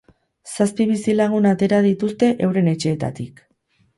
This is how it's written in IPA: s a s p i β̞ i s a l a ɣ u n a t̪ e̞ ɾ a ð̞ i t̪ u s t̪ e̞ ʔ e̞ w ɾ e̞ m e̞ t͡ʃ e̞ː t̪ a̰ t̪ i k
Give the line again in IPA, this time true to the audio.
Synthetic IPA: s a s p i β̞ i s i l a ɣ u n a t̪ e̞ ɾ a ð̞ i t̪ u s t̪ e̞ ʔ e̞ w ɾ e̞ n e̞ t͡ʃ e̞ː t̪ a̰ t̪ i k